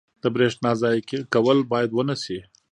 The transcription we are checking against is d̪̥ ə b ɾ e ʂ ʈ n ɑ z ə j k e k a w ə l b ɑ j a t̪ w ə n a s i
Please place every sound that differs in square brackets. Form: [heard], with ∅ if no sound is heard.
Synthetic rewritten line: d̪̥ ə b ɾ e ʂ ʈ n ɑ z [ɑ] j k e k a w ə l b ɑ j a [d̪] w ə n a s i